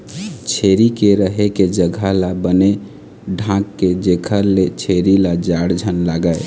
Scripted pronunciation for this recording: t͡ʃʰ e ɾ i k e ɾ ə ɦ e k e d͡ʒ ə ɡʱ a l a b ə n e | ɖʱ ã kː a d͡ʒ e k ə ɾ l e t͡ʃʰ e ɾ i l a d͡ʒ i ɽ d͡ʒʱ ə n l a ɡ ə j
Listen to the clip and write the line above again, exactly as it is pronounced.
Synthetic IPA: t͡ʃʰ e ɾ i k e ɾ ə ɦ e k e d͡ʒ ə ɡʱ a l a b ə n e | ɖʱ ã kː e d͡ʒ e kʰ ə ɾ l e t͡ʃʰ e ɾ i l a d͡ʒ a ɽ d͡ʒʱ ə n l a ɡ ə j